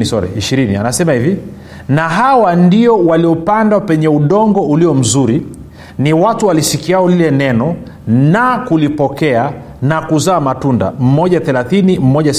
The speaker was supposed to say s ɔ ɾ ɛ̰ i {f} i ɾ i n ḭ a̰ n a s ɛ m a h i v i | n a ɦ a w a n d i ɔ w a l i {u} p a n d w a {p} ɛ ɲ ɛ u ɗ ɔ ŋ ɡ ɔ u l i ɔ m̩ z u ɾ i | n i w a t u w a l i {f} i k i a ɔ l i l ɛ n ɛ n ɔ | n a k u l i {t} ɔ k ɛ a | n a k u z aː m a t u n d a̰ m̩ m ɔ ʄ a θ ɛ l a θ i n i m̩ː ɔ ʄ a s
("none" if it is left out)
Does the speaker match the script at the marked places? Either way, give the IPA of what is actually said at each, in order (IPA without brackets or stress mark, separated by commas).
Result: ʃ, ɔ, p, s, p